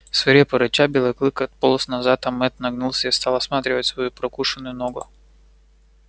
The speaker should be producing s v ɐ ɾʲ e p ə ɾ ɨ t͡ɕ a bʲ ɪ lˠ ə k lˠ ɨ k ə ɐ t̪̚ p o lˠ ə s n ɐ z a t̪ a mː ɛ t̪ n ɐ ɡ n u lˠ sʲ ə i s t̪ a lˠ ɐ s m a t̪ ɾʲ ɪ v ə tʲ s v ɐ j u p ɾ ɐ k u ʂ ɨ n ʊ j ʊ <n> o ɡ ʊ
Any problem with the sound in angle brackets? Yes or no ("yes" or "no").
no